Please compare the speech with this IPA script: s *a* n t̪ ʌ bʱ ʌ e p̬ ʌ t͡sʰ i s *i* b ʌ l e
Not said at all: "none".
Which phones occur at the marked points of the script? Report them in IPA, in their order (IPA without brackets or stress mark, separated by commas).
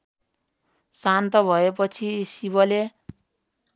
a, i